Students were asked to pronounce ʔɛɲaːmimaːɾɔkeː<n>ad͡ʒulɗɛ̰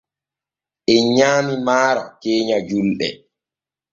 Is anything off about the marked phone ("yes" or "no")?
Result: yes